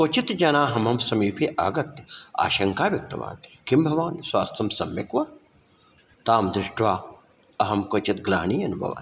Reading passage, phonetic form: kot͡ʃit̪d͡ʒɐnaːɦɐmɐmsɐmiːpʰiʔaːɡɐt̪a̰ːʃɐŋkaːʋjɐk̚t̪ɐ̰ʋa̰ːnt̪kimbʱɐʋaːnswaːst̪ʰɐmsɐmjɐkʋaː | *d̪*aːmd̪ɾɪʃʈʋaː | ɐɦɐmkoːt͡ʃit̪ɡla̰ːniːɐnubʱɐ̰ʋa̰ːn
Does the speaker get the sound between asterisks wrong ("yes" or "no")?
yes